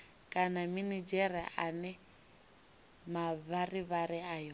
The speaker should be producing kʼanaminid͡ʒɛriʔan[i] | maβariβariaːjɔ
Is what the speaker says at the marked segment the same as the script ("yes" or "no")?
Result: no